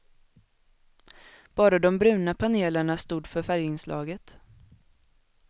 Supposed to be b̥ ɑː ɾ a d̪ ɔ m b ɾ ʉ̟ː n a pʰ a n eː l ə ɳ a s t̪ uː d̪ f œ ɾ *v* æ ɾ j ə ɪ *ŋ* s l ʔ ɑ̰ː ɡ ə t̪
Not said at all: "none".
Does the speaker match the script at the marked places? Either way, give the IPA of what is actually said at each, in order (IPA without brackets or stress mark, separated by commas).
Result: f, n